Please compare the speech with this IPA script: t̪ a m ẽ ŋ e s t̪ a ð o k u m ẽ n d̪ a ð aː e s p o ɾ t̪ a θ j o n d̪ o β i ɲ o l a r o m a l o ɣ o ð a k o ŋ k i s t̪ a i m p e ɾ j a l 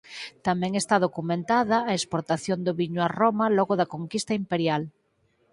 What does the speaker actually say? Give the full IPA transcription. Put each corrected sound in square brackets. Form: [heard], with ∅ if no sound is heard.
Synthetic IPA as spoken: t̪ a m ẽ ŋ e s t̪ a ð o k u m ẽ n [t̪] a ð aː e s p o ɾ t̪ a θ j o n d̪ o β i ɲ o [∅] a r o m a l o ɣ o ð a k o ŋ k i s t̪ a i m p e ɾ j a l